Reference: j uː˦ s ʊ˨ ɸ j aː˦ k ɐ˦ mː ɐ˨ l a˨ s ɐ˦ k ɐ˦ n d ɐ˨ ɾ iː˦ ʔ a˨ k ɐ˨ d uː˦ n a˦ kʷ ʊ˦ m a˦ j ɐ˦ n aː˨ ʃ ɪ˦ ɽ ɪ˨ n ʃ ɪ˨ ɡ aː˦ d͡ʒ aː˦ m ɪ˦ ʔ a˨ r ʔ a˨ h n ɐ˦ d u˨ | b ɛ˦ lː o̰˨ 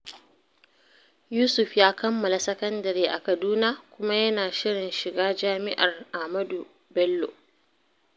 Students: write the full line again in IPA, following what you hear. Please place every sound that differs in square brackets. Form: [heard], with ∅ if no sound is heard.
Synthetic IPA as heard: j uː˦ s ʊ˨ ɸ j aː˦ k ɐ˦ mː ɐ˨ l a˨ s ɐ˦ k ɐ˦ n d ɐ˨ ɾ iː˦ ʔ a˨ k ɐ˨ d uː˦ n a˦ kʷ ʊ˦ m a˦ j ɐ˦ n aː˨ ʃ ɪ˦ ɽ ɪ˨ n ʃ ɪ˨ ɡ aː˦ d͡ʒ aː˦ m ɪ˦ ʔ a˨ r ʔ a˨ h [m] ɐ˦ d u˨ | b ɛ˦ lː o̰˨